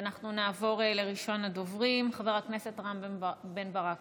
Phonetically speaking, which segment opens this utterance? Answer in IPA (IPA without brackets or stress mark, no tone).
n